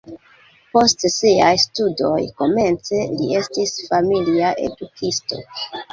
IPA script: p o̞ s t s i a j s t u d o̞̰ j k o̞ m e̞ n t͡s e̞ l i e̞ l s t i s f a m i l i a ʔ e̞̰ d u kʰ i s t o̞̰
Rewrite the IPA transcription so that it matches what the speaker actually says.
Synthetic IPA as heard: p o̞ s t s i a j s t u d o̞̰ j k o̞ m e̞ n t͡s e̞ l i e̞ s t i s f a m i l i a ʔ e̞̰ d u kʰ i s t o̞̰